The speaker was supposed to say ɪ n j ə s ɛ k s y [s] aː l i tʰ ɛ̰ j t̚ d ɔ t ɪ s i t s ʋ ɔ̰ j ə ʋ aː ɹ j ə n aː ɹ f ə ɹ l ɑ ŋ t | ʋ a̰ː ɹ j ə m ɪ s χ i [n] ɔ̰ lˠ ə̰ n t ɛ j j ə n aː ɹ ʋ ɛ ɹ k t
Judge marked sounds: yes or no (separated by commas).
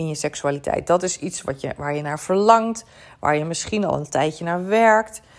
no, yes